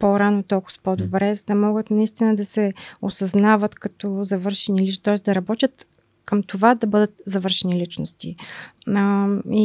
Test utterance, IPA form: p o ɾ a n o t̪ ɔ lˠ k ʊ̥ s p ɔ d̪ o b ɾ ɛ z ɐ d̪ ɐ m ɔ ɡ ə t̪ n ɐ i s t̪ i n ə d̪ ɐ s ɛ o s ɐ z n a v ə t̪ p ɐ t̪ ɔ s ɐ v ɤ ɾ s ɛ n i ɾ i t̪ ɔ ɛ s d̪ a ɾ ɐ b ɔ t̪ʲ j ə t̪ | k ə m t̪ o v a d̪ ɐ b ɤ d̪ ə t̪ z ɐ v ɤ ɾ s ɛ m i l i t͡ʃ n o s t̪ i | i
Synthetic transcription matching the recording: p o ɾ a n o t̪ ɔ lˠ k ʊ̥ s p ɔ d̪ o b ɾ ɛ z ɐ d̪ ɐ m ɔ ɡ ə t̪ n ɐ i s t̪ i n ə d̪ ɐ s ɛ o s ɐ z n a v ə t̪ k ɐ t̪ ɔ z ɐ v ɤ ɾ ʃ ɛ n i l i t̪ ɔ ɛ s d̪ ɐ ɾ ɐ b ɔ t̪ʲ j ə t̪ | k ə m t̪ o v a d̪ ɐ b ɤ d̪ ə t̪ z ɐ v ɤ ɾ ʃ ɛ n i l i t͡ʃ n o s t̪ i | i